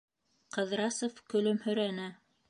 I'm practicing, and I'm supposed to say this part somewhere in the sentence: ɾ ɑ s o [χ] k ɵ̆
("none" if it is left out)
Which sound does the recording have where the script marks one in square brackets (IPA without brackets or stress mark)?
f